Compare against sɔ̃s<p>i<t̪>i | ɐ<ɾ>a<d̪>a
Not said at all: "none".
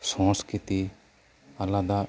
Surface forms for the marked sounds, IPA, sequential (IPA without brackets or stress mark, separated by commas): k, t̪, l, d̪